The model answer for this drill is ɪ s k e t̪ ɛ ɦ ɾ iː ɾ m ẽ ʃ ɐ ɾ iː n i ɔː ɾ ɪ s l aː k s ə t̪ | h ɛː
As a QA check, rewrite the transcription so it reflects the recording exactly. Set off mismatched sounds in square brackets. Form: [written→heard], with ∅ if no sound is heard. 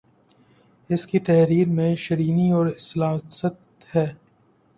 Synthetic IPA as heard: ɪ s k [e→i] t̪ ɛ ɦ ɾ iː ɾ m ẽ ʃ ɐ ɾ iː n i ɔː ɾ ɪ s l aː [k→∅] s ə t̪ | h ɛː